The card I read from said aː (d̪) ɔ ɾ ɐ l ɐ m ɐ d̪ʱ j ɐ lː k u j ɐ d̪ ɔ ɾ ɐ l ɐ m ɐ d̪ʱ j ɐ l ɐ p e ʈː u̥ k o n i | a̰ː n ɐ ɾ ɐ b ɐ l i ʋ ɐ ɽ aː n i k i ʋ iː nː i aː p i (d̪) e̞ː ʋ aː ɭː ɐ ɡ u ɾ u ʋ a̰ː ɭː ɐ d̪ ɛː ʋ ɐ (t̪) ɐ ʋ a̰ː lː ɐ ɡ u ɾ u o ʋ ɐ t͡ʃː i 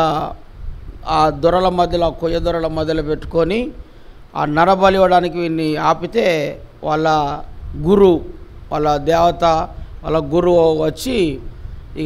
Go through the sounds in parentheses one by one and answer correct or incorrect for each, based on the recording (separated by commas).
correct, incorrect, correct